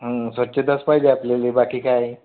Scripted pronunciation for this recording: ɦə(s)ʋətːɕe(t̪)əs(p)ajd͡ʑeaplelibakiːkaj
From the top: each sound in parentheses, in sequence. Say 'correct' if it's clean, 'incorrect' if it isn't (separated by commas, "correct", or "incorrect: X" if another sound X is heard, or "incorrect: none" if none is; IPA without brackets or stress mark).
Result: correct, incorrect: d̪, correct